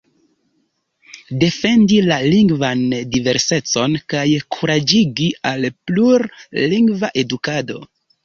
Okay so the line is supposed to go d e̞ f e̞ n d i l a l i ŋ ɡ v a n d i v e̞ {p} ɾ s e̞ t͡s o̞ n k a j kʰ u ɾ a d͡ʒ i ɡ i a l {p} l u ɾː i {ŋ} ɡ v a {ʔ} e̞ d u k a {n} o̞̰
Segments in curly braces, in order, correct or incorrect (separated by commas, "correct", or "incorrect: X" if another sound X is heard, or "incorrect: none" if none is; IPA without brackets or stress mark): incorrect: none, correct, correct, correct, incorrect: d